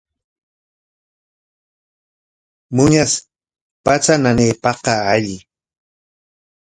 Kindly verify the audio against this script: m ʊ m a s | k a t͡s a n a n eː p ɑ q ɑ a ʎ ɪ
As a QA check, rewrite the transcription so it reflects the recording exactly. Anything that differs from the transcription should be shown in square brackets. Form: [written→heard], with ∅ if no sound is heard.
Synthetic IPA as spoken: m ʊ [m→ɲ] a s | [k→p] a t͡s a n a n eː p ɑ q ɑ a ʎ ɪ